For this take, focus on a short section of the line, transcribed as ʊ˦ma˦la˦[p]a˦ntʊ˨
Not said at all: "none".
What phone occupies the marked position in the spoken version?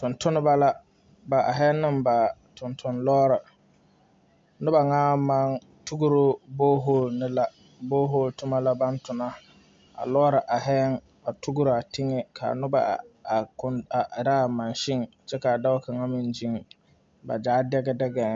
b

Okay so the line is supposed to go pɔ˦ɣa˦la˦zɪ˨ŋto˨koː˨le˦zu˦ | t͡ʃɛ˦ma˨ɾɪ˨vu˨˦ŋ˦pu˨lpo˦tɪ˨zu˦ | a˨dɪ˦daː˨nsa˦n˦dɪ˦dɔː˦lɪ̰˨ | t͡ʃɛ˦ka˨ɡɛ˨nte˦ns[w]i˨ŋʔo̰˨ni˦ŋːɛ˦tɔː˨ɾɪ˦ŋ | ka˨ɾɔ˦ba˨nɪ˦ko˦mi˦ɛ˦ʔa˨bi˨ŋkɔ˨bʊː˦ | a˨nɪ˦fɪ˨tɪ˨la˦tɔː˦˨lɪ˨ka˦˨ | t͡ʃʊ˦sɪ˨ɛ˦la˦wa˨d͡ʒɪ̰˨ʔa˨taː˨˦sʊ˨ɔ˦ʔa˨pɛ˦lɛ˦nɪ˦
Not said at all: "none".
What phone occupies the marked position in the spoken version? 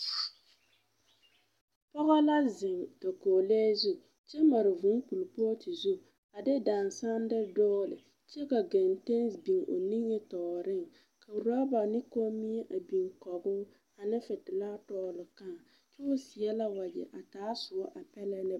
b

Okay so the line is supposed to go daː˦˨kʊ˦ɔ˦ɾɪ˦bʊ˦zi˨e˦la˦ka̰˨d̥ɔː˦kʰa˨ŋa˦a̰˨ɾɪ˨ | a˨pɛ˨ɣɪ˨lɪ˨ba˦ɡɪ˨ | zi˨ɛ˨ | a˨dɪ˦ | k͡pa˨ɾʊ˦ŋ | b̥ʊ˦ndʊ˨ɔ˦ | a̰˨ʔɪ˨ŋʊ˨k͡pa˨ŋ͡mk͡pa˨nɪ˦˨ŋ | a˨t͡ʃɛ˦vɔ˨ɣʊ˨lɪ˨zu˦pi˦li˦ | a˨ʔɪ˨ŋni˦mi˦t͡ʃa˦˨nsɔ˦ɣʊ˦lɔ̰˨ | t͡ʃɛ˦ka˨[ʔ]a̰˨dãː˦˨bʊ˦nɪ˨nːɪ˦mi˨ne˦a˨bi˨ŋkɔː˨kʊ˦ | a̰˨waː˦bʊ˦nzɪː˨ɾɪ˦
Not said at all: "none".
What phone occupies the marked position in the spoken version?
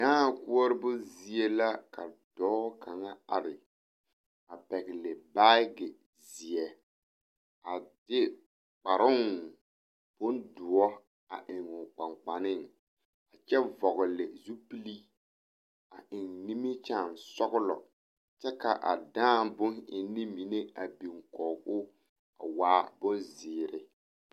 ʔ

